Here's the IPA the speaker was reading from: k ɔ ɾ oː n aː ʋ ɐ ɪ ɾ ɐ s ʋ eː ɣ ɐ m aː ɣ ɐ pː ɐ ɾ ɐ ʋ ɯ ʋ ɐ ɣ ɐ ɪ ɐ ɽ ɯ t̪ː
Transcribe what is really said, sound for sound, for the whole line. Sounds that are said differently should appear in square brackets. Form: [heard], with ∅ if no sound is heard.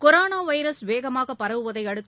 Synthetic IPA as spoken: k ɔ ɾ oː n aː ʋ ɐ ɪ ɾ ɐ s ʋ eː ɣ ɐ m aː ɣ ɐ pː ɐ ɾ ɐ ʋ ɯ ʋ ɐ [ð] ɐ ɪ ɐ ɽ ɯ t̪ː